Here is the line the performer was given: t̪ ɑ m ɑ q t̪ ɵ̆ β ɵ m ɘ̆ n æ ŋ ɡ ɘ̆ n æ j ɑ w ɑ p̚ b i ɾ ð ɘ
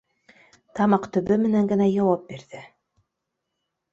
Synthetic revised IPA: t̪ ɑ m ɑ q t̪ ɵ̆ β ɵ m ɘ̆ n æ ŋ ɡ ɘ̆ n æ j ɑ w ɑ p̚ b i ɾ ð ɘ